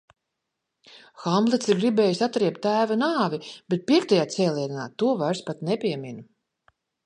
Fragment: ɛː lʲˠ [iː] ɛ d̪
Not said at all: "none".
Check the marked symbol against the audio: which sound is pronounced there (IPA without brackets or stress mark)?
i